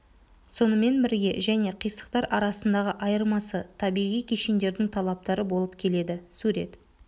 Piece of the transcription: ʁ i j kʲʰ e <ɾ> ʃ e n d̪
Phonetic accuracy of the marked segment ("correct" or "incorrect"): incorrect